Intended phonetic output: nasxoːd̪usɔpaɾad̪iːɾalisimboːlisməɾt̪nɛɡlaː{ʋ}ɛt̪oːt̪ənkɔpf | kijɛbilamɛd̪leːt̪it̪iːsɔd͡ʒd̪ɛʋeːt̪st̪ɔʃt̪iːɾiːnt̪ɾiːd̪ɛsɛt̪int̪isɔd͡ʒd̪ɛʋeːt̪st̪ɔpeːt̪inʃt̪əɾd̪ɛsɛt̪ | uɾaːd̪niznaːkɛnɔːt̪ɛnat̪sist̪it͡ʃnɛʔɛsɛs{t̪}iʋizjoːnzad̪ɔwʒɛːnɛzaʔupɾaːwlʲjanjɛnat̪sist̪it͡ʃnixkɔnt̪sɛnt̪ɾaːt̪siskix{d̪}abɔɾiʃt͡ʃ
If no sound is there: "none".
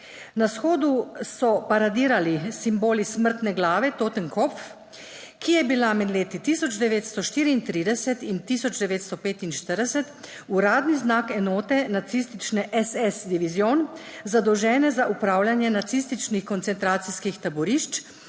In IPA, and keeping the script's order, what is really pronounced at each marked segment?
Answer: ʋ, d̪, t̪

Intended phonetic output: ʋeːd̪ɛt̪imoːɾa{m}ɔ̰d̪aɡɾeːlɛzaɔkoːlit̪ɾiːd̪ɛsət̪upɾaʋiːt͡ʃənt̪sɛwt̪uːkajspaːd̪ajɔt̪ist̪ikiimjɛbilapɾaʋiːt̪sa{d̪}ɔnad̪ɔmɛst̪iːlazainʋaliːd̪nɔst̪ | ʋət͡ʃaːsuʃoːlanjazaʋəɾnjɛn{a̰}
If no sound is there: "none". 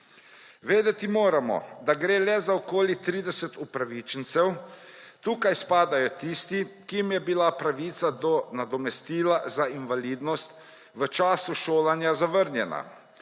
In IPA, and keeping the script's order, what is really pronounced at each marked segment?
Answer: m, d̪, a̰

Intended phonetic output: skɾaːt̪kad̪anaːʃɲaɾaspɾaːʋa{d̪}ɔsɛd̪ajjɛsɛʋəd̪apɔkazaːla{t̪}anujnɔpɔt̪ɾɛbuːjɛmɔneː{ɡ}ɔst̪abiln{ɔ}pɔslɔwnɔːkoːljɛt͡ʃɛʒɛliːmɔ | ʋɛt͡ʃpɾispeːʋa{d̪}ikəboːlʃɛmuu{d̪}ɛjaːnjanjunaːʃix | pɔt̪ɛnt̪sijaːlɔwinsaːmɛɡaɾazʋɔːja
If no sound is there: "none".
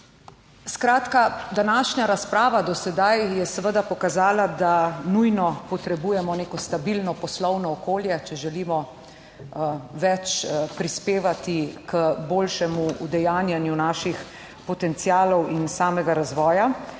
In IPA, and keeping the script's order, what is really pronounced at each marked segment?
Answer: d̪, d̪, k, ɔ, t̪, d̪

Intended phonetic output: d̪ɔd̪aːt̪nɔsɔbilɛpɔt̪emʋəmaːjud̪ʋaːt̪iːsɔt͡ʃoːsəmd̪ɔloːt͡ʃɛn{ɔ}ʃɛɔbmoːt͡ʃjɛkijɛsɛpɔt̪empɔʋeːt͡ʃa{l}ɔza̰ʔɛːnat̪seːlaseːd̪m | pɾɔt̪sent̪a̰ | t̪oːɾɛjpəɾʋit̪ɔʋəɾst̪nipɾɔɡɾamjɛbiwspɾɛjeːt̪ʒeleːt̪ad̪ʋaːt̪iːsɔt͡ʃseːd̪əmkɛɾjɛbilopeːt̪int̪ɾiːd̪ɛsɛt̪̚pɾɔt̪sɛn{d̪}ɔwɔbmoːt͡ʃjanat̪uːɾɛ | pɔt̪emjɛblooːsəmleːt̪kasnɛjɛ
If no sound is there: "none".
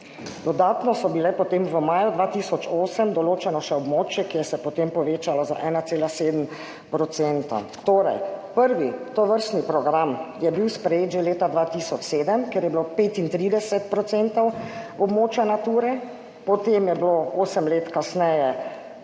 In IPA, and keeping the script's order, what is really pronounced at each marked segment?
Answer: ɔ, l, t̪

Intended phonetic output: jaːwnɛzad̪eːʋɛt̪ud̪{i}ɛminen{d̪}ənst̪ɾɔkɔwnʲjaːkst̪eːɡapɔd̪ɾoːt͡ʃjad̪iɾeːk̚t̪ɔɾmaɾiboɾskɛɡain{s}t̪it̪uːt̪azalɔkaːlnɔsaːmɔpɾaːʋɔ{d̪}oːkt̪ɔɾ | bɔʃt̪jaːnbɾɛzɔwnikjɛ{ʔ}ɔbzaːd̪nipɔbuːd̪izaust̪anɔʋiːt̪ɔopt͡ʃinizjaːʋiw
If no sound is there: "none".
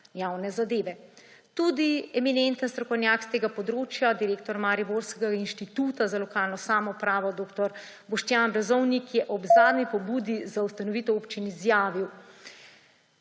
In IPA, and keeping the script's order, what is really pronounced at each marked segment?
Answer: i, t̪, ʃ, d̪, ʔ

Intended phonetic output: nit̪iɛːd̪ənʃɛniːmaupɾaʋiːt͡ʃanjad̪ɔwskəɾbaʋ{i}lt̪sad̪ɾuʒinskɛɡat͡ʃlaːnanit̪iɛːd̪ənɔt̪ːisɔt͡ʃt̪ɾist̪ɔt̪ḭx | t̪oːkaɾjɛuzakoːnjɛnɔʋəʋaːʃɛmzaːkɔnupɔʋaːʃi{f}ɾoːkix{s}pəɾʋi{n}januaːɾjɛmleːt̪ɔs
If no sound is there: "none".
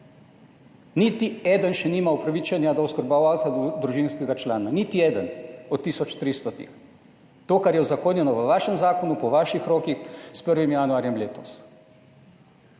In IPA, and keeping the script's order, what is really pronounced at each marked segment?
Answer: a, x, s, m

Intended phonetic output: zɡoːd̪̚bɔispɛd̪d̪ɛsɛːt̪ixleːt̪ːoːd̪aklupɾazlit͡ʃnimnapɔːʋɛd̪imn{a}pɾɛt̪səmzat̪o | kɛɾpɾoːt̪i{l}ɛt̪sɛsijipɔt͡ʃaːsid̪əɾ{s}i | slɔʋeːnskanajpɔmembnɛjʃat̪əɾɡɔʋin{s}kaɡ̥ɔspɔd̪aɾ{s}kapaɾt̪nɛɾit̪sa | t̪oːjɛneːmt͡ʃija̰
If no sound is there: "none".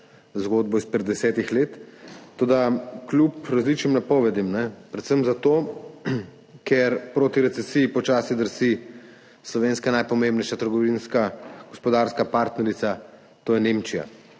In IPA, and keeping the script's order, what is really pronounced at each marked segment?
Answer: ɛ, ɾ, s, s, s

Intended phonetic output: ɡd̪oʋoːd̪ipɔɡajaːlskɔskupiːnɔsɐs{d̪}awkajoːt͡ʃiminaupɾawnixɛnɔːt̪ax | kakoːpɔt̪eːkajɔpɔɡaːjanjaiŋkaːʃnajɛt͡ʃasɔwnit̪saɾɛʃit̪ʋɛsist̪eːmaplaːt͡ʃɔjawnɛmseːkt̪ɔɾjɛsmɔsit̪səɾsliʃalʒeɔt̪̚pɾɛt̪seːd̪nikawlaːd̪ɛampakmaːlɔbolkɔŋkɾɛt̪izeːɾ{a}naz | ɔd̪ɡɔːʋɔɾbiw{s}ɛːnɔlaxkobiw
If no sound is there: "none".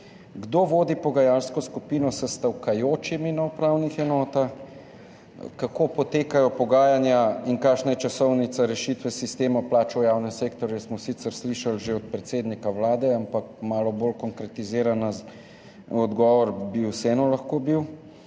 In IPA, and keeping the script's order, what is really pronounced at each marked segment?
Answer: t̪, a, s

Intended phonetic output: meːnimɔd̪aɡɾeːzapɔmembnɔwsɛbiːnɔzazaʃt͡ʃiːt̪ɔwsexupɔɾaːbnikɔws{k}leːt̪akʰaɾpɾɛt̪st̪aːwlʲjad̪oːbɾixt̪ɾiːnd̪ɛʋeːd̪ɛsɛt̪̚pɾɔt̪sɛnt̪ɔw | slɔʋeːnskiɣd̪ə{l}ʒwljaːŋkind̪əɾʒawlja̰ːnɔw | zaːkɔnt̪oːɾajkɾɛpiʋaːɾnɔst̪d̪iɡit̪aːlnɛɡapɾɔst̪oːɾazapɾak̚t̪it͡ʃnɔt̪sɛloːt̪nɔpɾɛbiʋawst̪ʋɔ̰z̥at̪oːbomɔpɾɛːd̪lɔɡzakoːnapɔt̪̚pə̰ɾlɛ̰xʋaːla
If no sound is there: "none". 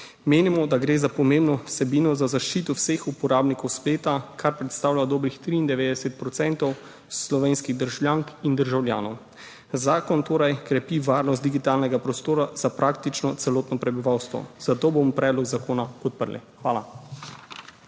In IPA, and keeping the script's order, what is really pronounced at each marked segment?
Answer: p, ɾ

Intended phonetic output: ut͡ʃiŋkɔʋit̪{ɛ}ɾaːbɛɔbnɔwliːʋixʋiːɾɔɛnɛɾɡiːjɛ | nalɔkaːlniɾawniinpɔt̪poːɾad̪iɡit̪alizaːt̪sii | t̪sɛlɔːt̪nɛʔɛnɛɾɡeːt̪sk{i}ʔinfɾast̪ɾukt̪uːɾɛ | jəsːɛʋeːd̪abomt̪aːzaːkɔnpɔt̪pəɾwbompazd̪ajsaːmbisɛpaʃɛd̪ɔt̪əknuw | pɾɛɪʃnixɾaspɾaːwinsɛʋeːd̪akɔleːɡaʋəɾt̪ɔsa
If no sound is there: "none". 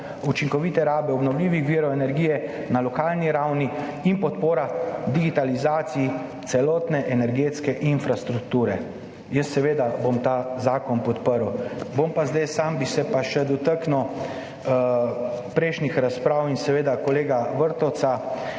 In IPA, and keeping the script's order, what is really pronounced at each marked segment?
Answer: ɛ, ɛ

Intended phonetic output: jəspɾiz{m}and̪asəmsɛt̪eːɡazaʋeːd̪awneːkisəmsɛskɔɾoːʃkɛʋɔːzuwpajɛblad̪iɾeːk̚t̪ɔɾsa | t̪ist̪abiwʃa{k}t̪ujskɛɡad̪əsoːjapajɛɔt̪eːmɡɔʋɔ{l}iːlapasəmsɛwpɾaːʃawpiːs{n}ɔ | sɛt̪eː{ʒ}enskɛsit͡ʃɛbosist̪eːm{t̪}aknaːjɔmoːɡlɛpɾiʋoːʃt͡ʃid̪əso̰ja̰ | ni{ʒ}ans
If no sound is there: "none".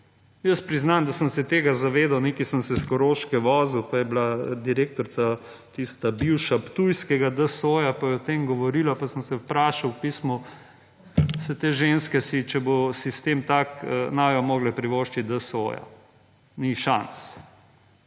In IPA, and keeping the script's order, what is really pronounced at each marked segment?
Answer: n, p, ɾ, m, ʒ, t̪, ʃ

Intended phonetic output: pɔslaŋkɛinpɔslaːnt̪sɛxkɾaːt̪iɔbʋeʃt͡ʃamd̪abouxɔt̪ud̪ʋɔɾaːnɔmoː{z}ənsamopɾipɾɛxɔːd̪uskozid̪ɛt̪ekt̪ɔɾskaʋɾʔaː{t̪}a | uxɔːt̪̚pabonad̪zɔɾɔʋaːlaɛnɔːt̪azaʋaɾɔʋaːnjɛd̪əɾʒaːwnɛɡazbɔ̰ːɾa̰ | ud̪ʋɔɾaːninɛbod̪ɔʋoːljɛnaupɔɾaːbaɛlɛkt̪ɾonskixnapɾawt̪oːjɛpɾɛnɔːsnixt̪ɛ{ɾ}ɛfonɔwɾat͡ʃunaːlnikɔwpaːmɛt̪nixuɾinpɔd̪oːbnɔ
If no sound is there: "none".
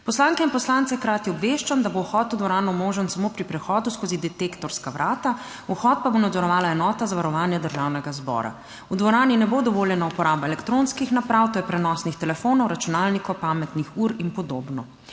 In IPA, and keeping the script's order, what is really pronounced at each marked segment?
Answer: ʒ, t̪, l

